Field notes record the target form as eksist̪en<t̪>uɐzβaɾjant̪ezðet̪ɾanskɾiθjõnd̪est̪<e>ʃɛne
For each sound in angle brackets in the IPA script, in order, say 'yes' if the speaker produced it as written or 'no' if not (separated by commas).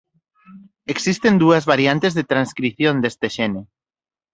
no, yes